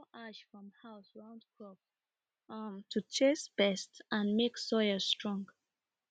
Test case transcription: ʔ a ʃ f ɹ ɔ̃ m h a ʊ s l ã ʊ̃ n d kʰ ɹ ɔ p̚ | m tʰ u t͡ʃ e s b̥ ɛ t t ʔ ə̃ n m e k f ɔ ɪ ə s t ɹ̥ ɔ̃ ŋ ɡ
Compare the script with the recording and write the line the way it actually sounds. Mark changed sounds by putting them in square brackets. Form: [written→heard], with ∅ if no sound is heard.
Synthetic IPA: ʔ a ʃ f ɹ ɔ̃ m h a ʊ s [l→ɹ] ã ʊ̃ n d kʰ ɹ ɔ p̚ | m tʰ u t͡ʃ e s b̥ ɛ [t→s] t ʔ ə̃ n m e k [f→s] ɔ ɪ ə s t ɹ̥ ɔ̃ ŋ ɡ